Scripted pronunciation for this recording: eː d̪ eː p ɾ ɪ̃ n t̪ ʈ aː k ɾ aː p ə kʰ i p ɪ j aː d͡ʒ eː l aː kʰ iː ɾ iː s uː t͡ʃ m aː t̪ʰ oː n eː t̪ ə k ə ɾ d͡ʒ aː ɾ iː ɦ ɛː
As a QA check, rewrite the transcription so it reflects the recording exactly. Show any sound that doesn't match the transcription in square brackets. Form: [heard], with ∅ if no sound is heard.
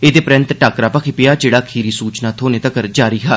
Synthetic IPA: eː d̪ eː p ɾ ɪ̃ n t̪ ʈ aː k ɾ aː p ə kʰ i p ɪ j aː d͡ʒ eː [ɽ] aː kʰ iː ɾ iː s uː t͡ʃ [n] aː t̪ʰ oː n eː t̪ ə k ə ɾ d͡ʒ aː ɾ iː ɦ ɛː